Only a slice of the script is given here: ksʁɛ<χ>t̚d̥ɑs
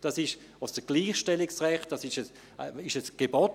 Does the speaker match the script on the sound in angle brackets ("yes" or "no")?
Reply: yes